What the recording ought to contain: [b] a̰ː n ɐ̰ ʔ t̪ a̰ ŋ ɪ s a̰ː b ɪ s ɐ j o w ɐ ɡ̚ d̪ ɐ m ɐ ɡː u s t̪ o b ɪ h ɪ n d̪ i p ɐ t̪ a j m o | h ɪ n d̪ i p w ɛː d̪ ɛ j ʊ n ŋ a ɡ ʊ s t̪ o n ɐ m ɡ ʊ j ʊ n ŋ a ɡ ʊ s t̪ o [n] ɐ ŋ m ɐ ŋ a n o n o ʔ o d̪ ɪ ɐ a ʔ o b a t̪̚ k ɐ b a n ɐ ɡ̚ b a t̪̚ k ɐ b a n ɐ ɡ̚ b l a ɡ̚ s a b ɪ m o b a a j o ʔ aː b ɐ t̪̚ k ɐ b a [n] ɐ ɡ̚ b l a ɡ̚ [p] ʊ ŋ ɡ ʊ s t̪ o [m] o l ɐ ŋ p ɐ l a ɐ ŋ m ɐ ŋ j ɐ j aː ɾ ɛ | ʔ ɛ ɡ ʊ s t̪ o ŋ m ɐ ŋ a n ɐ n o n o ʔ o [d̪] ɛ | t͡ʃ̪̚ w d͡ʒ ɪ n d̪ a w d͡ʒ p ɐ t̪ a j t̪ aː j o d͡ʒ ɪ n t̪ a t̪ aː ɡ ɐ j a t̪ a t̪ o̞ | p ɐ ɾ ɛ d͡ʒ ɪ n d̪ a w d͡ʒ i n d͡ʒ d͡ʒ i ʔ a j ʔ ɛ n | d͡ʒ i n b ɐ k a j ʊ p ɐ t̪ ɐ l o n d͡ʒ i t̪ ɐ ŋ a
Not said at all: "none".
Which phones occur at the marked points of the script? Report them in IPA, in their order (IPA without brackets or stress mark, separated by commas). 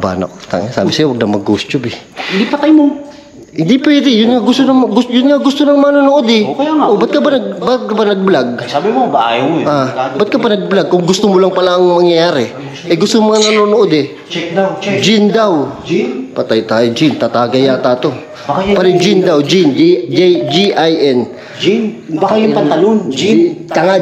b, n, n, k, m, d̪